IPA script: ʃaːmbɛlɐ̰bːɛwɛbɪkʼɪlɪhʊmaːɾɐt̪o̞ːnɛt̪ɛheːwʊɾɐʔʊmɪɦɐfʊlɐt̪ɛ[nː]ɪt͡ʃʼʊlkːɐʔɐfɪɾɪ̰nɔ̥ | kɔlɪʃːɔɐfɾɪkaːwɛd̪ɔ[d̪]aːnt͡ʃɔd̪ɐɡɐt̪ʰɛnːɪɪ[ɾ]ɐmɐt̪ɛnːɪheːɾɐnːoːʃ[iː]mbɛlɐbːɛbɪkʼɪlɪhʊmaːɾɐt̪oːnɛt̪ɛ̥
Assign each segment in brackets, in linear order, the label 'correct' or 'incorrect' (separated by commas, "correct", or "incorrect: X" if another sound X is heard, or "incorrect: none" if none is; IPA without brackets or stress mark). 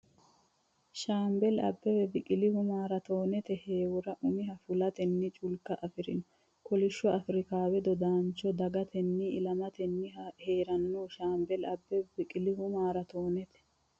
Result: correct, correct, incorrect: l, incorrect: aː